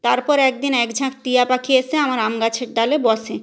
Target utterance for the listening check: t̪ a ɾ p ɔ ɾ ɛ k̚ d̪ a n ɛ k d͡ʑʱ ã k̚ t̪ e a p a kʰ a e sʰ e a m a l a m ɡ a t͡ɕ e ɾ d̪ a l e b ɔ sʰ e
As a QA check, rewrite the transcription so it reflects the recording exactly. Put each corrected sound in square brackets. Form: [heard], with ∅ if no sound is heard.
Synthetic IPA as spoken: t̪ a ɾ p ɔ ɾ ɛ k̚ d̪ [i] n ɛ k d͡ʑʱ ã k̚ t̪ [i] a p a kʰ [i] e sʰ e a m a [ɾ] a m ɡ a [t͡ɕʰ] e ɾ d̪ a l e b ɔ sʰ e